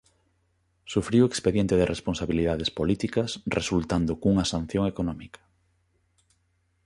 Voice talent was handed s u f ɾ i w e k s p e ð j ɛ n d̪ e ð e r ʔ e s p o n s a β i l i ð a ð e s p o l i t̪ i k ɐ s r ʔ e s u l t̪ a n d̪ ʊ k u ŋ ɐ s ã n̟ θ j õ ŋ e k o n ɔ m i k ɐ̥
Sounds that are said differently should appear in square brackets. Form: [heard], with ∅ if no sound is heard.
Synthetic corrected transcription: s u f ɾ i w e k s p e ð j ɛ n [t̪] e ð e r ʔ e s p o n s a β i l i ð a ð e s p o l i t̪ i k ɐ s r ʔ e s u l t̪ a n d̪ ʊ k u ŋ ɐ s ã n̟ θ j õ ŋ e k o n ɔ m i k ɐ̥